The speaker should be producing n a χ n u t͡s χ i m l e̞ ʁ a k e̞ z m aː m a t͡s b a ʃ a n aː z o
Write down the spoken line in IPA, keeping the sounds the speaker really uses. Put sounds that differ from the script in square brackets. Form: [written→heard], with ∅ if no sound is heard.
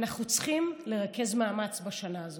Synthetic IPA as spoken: n a χ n u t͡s χ i m l e̞ ʁ a k e̞ z m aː m a t͡s b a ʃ a n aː z o